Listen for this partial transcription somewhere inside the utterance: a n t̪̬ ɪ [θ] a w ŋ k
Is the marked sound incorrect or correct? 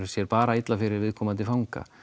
incorrect